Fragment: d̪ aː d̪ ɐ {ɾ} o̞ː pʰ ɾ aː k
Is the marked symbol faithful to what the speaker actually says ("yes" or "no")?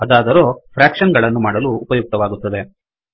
yes